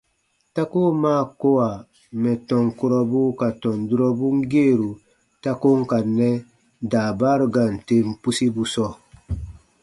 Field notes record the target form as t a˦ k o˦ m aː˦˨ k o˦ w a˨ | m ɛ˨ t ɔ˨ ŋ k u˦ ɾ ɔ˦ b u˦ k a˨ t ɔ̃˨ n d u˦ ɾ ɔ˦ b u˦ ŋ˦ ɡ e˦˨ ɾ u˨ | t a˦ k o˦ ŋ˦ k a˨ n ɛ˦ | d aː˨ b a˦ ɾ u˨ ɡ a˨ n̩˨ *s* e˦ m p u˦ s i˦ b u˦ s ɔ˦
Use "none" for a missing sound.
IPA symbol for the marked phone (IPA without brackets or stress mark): t